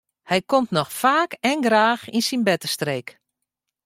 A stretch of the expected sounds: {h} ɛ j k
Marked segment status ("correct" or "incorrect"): correct